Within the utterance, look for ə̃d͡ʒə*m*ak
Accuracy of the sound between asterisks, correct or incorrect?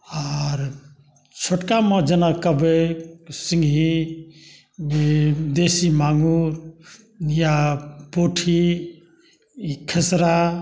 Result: incorrect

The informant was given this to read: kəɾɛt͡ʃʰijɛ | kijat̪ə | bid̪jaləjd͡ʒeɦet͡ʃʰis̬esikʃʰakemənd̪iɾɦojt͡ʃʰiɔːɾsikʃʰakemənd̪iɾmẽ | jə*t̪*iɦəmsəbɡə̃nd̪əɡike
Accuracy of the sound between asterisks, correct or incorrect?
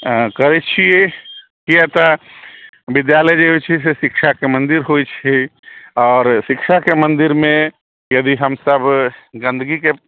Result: incorrect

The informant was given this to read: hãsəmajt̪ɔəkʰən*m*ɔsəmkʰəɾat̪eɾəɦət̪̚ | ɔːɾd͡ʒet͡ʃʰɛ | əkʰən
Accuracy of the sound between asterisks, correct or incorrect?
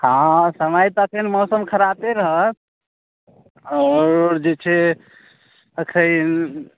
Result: correct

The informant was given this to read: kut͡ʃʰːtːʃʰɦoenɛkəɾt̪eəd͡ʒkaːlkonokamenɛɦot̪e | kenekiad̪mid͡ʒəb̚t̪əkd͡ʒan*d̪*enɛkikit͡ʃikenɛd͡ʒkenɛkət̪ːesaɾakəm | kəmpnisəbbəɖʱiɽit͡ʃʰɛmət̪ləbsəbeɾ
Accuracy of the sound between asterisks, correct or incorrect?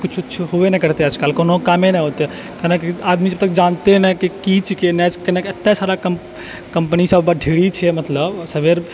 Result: incorrect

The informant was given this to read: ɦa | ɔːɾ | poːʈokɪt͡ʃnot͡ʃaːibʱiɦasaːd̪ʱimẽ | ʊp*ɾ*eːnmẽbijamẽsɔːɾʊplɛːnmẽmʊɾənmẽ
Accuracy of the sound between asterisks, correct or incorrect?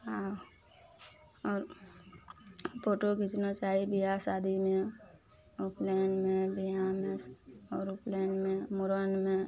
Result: incorrect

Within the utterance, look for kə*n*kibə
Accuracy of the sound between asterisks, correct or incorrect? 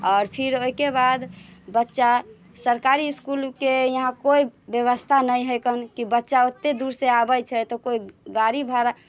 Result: correct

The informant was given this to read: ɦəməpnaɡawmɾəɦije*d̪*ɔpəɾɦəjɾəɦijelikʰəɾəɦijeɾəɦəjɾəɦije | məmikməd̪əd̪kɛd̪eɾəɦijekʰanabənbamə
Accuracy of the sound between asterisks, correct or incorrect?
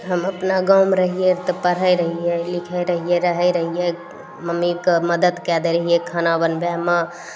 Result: incorrect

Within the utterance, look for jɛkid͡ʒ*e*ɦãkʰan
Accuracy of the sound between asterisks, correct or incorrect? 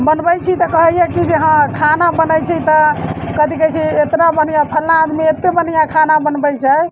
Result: correct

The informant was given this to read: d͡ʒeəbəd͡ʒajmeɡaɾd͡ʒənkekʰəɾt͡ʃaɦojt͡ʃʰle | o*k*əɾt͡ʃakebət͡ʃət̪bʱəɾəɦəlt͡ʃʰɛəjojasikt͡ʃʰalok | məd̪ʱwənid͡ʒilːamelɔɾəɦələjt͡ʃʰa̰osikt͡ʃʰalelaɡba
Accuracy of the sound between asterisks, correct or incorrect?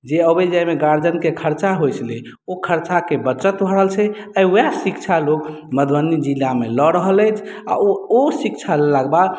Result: incorrect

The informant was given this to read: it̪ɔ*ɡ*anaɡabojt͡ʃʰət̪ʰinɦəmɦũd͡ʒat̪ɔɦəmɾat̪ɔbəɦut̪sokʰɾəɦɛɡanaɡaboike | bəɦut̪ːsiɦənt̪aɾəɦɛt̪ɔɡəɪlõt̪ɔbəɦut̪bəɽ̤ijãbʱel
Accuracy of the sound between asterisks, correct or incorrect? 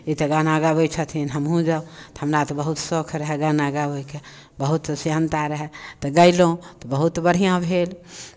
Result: correct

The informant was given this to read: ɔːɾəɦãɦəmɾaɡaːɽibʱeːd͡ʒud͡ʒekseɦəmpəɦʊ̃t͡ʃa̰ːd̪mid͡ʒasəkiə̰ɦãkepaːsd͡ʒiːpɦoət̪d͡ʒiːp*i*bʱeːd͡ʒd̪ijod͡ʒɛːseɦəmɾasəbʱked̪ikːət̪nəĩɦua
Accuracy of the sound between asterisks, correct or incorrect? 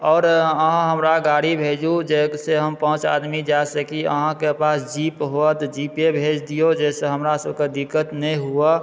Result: incorrect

